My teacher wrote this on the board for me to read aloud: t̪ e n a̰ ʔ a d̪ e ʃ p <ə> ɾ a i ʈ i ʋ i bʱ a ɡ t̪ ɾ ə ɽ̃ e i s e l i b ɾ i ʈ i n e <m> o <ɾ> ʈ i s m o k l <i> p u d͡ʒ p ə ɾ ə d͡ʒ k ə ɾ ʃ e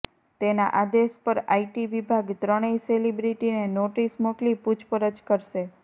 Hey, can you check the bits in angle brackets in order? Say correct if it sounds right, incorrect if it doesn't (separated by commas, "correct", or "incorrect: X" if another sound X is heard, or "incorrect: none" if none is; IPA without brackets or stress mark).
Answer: correct, incorrect: n, incorrect: none, correct